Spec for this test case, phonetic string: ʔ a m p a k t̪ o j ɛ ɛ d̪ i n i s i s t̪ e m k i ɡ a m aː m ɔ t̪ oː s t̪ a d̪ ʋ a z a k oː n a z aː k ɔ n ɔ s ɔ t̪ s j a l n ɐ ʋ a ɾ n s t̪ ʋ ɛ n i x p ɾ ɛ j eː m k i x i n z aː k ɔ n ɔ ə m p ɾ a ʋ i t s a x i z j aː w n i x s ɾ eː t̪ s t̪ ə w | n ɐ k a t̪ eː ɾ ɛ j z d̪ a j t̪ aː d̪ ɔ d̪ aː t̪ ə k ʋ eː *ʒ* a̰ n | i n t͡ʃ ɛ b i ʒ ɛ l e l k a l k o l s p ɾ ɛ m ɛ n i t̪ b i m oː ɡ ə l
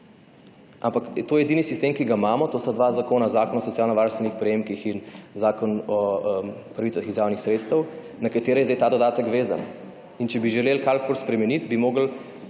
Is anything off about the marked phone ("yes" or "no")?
yes